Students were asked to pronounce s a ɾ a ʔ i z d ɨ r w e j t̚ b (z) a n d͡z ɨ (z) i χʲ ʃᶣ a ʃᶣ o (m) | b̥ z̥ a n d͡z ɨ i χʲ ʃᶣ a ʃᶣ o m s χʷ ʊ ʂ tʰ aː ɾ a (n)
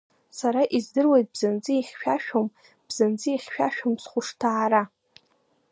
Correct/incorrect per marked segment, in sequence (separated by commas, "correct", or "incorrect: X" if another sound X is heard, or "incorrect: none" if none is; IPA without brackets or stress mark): correct, incorrect: none, correct, incorrect: none